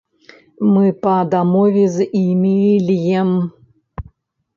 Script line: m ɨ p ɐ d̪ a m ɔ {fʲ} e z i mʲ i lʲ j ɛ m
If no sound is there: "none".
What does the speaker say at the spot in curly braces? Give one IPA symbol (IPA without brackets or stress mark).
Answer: vʲ